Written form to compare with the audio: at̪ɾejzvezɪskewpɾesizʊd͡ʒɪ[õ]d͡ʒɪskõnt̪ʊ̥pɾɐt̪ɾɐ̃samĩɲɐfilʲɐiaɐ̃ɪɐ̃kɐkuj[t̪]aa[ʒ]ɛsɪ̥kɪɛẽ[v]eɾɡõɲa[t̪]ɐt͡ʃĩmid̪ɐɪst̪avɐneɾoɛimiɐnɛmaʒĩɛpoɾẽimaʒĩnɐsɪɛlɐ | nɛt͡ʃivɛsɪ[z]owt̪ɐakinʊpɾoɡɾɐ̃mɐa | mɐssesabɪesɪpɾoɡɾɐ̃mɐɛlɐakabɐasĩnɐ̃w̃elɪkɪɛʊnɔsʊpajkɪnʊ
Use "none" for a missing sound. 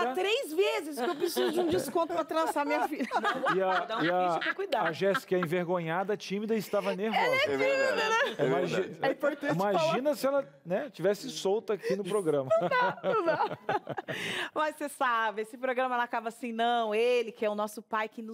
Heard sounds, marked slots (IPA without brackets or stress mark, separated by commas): ũ, d̪, ʒ, v, d̪, s